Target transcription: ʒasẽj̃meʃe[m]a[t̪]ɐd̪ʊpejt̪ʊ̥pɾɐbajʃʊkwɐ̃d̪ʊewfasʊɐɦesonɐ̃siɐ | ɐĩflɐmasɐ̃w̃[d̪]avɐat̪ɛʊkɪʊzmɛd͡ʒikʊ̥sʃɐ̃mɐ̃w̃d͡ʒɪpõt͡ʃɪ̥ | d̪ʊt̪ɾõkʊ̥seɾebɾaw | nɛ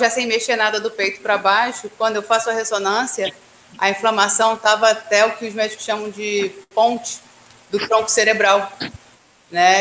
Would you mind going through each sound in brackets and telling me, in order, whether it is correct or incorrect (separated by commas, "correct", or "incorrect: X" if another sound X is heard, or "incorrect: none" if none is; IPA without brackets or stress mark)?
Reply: incorrect: n, incorrect: d̪, incorrect: t̪